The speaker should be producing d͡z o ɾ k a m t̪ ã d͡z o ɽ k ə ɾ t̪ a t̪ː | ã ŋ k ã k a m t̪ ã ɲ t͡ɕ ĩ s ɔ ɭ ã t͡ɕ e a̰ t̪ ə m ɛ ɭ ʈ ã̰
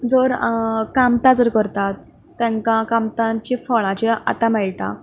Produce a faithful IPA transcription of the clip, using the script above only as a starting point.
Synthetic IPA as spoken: d͡z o ɾ k a m t̪ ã d͡z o ɾ k ə ɾ t̪ a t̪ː | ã ŋ k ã k a m t̪ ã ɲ t͡ɕ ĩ f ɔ ɭ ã t͡ɕ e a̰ t̪ a m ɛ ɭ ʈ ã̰